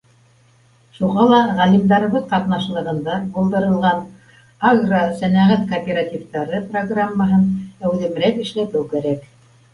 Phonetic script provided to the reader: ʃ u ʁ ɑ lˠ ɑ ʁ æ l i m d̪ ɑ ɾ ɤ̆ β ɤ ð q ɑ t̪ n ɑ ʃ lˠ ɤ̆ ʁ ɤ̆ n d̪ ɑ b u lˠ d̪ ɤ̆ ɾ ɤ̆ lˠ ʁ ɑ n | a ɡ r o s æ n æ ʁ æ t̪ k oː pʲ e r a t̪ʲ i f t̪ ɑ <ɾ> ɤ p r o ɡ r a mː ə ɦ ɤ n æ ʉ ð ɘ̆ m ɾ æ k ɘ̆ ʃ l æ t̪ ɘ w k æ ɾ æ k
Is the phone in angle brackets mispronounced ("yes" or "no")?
no